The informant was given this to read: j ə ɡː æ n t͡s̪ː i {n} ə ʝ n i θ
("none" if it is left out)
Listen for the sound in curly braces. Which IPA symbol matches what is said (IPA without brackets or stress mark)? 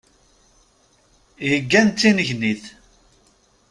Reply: n